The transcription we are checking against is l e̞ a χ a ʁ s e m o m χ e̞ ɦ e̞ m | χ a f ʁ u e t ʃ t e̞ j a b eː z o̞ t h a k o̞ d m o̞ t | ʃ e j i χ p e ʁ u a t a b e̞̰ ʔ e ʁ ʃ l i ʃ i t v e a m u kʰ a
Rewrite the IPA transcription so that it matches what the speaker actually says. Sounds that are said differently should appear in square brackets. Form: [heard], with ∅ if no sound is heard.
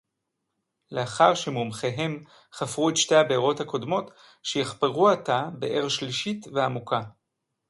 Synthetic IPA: l e̞ a χ a ʁ [ʃ] e m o m χ e̞ ɦ e̞ m | χ a f ʁ u e t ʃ t e̞ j a b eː [ʁ] o̞ t h a k o̞ d m o̞ t | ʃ e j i χ p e ʁ u a t a b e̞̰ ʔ e ʁ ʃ l i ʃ i t v e a m u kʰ a

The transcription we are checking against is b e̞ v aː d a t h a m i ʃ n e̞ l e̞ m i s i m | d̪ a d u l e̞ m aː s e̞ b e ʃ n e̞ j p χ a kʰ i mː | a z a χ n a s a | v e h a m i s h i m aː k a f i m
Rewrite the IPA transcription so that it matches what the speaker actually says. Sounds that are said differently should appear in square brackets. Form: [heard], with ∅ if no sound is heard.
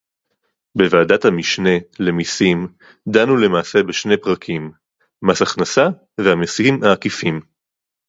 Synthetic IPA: b e̞ v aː d a t h a m i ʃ n e̞ l e̞ m i s i m | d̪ a [n] u l e̞ m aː s e̞ b e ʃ n e̞ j p [ʁ] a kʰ i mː | a [s] a χ n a s a | v e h a m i s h i m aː k [i] f i m

